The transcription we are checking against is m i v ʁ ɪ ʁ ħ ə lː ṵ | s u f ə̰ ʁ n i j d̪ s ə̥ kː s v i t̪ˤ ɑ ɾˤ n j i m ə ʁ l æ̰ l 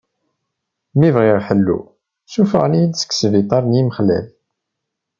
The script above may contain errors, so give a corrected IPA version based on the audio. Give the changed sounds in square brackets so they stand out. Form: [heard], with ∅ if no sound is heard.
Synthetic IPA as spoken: m i v ʁ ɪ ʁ ħ ə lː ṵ | s u f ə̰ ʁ n i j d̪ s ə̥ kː s v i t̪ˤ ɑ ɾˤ n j i m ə [χ] l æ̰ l